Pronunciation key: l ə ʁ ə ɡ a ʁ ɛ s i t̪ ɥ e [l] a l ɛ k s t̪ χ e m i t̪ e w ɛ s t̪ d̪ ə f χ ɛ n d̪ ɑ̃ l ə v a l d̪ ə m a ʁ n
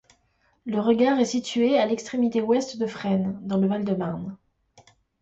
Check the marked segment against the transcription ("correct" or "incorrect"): incorrect